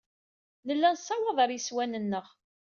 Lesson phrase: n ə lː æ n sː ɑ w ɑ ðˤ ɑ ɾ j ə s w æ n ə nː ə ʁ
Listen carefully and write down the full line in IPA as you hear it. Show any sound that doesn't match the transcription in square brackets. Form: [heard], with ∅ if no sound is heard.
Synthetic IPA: n ə lː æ n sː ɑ w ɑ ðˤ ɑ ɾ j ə s w æ n ə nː ə ʁ